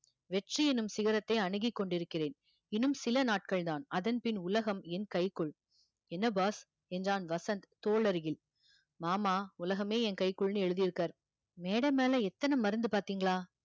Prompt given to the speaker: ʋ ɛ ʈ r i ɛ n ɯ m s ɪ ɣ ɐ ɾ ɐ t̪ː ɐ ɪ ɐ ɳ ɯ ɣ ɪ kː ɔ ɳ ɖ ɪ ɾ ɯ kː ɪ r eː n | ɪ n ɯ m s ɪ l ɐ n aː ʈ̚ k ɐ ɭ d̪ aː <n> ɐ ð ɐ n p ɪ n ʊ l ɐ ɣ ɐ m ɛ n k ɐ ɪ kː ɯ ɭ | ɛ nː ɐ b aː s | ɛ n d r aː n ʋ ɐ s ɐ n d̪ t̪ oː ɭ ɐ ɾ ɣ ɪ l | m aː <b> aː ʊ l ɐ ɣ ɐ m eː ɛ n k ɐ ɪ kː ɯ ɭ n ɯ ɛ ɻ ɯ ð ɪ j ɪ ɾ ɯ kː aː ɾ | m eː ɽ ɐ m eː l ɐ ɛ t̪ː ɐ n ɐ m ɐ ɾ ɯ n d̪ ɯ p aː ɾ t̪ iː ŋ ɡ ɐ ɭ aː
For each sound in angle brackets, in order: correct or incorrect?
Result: correct, incorrect

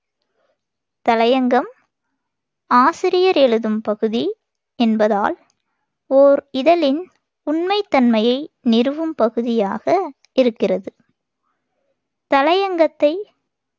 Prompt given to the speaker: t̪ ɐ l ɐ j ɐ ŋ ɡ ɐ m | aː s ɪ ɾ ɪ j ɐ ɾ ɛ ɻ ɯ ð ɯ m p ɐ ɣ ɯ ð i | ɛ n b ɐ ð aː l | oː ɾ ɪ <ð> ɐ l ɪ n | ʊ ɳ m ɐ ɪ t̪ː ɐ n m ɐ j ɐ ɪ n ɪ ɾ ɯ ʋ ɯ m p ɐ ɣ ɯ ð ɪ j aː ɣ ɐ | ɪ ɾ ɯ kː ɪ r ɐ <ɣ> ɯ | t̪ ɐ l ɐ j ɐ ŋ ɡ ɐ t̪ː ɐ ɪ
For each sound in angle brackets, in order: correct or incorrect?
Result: correct, incorrect

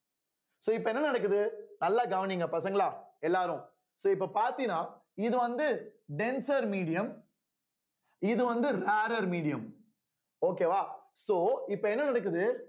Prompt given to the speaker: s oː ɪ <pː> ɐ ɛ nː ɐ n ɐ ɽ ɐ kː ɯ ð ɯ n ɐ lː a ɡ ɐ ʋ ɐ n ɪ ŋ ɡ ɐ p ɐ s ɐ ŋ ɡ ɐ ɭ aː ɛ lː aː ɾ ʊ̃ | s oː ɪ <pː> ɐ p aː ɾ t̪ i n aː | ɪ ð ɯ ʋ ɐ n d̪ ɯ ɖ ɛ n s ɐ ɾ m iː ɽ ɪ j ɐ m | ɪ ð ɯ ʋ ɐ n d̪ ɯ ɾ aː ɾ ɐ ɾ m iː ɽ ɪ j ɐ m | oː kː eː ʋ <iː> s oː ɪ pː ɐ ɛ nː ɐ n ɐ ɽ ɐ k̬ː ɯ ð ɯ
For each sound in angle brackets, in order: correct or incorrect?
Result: correct, correct, incorrect

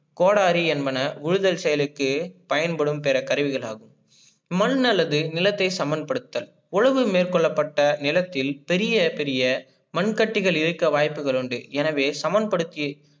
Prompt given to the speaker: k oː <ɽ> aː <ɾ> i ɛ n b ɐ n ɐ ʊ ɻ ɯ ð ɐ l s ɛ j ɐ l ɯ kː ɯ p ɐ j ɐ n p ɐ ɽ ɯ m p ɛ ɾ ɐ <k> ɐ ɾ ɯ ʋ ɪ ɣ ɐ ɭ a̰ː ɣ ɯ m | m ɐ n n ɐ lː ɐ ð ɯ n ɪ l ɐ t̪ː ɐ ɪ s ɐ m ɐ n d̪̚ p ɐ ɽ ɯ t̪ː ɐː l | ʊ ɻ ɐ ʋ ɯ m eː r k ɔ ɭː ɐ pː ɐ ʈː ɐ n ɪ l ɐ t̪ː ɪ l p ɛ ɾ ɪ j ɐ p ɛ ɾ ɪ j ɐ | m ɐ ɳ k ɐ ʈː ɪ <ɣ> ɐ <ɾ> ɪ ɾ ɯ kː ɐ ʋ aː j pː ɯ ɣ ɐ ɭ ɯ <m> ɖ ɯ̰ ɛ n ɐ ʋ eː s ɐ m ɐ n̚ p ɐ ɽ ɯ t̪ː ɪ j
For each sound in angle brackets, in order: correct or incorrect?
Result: correct, correct, correct, correct, incorrect, incorrect

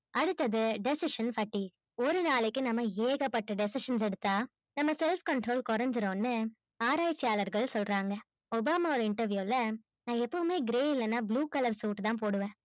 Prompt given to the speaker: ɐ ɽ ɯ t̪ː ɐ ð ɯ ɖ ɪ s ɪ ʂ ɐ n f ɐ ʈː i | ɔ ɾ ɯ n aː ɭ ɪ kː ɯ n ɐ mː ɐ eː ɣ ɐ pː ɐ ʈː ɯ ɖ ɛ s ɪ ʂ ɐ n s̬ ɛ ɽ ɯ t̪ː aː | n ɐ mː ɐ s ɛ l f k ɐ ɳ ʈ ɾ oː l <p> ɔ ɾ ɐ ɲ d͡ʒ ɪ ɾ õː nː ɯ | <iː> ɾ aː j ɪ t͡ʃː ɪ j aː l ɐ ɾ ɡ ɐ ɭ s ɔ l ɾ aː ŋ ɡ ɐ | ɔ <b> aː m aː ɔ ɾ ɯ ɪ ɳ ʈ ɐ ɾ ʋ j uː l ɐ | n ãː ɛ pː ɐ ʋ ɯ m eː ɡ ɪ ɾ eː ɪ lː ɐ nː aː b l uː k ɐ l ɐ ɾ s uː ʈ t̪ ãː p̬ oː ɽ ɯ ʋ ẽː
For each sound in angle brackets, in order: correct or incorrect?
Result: incorrect, incorrect, correct

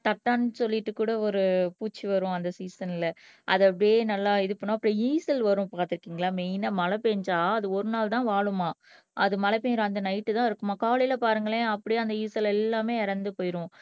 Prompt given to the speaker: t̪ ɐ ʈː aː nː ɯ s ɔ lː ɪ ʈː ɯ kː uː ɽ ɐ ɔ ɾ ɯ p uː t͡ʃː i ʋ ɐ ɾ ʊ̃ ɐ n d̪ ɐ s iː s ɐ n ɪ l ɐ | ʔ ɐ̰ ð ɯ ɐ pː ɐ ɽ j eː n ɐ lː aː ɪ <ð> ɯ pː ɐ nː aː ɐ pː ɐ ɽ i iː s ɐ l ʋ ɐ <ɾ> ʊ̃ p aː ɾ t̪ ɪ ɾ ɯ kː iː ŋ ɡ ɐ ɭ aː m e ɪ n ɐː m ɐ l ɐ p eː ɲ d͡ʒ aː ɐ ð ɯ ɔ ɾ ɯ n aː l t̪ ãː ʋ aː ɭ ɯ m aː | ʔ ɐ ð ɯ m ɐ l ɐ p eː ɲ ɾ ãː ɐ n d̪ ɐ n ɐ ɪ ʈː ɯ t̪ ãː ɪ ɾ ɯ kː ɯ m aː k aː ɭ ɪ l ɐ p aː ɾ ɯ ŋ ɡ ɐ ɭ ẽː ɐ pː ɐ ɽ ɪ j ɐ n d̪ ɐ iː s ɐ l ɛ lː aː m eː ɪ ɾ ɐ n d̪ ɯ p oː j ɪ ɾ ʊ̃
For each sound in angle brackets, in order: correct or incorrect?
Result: correct, correct

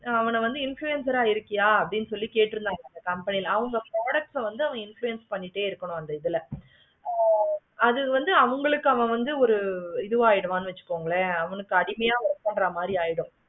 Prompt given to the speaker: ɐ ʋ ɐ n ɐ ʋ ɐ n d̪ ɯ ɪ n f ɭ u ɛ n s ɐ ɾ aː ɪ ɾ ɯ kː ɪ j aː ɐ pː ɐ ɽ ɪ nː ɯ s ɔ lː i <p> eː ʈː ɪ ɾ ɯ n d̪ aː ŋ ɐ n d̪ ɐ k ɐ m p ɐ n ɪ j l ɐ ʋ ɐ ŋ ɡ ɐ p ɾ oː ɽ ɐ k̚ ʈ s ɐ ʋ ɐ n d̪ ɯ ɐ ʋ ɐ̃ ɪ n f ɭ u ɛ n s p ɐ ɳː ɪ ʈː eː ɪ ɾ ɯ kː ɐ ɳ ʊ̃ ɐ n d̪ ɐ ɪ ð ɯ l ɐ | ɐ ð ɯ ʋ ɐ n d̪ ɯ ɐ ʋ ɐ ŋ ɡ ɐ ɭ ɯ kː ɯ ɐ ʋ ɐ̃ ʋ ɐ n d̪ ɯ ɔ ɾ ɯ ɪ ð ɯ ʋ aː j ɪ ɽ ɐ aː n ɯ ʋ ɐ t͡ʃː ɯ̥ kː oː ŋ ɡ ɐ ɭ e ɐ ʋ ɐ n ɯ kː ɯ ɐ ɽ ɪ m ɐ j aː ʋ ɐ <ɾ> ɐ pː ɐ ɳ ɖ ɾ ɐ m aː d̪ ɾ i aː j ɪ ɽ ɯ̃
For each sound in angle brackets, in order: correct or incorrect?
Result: incorrect, correct

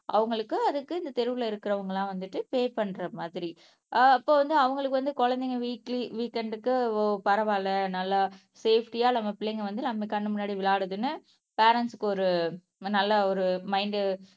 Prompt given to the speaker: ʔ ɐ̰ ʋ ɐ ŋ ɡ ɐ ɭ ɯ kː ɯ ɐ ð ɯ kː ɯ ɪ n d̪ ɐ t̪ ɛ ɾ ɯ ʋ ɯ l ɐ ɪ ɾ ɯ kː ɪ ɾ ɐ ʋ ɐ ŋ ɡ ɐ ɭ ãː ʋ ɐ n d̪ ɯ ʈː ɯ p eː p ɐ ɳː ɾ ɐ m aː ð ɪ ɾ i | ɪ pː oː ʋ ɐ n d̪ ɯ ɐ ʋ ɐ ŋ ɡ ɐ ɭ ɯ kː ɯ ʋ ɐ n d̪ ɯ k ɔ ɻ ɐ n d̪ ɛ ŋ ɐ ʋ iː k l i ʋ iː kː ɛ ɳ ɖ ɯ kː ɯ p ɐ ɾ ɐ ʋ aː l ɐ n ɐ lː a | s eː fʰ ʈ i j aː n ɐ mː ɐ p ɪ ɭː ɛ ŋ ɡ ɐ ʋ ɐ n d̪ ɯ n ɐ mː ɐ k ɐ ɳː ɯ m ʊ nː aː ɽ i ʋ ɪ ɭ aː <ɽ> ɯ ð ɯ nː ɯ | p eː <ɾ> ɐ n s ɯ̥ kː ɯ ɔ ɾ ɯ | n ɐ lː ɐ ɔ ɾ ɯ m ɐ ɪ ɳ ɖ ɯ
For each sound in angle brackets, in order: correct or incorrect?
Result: correct, correct

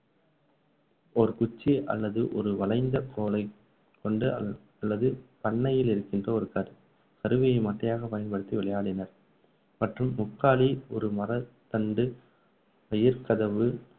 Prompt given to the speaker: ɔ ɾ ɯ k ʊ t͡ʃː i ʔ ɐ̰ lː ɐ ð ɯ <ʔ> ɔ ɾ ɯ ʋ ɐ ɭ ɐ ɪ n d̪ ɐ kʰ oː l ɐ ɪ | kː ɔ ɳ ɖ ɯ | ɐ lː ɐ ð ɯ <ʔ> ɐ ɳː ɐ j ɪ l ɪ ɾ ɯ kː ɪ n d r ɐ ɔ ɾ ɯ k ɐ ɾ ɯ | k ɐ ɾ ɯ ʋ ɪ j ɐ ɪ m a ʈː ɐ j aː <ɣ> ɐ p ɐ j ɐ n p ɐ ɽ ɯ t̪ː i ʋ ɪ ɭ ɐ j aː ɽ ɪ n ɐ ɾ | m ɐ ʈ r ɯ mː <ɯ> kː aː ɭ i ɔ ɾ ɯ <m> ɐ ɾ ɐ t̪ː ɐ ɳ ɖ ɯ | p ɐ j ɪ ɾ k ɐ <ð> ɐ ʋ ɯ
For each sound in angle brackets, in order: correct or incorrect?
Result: correct, incorrect, correct, incorrect, correct, correct

